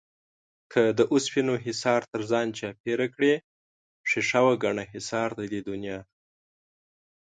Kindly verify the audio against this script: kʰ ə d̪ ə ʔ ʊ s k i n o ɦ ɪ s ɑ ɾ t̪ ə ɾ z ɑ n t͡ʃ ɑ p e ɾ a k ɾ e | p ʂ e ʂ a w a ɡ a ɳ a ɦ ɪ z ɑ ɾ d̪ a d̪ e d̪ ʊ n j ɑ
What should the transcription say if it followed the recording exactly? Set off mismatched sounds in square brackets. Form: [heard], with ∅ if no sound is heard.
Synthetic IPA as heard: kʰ ə d̪ ə ʔ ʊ s [p] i n o ɦ ɪ s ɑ ɾ t̪ ə ɾ z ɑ n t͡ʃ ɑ p e ɾ a k [ɽ] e | p ʂ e ʂ a w a ɡ a ɳ a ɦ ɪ [s] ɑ ɾ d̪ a d̪ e d̪ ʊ n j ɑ